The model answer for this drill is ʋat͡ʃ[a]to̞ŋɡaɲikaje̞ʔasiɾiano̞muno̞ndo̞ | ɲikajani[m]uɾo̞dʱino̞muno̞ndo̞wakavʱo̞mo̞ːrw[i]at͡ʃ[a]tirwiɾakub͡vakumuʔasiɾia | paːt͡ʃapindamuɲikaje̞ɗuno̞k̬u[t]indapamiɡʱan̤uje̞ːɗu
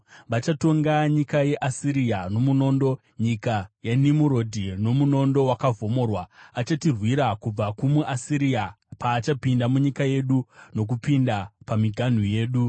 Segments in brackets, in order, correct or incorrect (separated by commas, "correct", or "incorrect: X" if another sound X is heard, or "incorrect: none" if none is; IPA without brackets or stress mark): correct, correct, incorrect: a, correct, incorrect: p